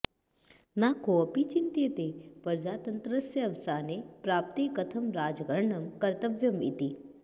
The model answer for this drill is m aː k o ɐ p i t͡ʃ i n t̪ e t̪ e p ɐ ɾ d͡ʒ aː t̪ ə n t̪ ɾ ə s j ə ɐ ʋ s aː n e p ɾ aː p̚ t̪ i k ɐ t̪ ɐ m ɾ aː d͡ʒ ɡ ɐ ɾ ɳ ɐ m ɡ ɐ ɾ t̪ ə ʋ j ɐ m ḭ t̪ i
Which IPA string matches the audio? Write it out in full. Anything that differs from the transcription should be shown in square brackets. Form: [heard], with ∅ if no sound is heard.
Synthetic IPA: [n] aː k o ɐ p i t͡ʃ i n t̪ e t̪ e p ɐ ɾ d͡ʒ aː t̪ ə n t̪ ɾ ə s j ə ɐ ʋ s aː n e p ɾ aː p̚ t̪ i k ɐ [t̪ʰ] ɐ m ɾ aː d͡ʒ ɡ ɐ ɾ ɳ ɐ m [k] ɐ ɾ t̪ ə ʋ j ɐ m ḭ t̪ i